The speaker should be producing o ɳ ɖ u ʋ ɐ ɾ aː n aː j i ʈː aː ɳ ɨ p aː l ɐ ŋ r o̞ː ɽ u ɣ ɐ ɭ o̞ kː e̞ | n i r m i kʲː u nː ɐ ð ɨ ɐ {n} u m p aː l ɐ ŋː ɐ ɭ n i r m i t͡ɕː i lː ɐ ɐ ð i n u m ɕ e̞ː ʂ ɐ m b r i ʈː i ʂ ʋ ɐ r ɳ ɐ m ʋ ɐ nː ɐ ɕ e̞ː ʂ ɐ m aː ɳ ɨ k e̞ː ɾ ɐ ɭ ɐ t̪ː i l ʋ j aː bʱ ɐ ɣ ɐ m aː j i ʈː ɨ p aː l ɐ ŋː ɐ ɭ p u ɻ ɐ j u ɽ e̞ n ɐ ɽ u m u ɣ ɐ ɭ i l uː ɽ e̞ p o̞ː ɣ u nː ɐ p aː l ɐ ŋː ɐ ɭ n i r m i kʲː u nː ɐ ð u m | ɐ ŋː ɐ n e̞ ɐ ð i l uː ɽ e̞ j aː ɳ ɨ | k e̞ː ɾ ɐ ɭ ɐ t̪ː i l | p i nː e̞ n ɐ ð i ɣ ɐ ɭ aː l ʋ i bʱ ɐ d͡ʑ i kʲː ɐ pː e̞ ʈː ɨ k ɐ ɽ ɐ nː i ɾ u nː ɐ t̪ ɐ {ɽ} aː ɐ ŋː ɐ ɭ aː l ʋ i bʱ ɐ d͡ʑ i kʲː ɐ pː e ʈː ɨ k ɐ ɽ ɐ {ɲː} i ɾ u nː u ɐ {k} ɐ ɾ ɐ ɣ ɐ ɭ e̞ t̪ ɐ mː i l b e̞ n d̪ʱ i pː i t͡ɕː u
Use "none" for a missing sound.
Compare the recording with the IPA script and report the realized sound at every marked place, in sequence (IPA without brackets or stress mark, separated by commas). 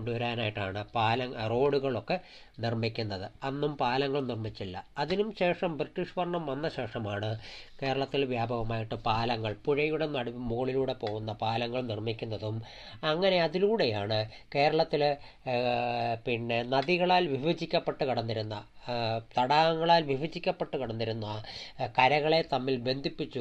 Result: nː, ɽ, nː, k